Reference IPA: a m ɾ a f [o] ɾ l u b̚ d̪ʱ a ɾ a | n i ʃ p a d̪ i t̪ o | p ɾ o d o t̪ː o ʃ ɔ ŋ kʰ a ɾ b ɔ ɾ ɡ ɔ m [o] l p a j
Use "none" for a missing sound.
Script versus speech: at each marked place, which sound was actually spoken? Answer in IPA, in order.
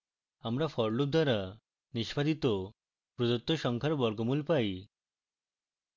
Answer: ɔ, u

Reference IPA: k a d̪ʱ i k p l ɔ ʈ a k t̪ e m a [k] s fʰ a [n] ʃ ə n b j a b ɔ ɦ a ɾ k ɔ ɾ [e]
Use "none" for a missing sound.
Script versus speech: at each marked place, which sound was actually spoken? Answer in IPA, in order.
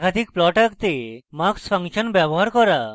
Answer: k, ŋ, a

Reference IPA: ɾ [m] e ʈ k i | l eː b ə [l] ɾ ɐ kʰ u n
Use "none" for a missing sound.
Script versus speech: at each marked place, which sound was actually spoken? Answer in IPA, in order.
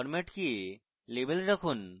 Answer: m, l

